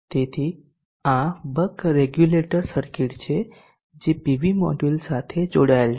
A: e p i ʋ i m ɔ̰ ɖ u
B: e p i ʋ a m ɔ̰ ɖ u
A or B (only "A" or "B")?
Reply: A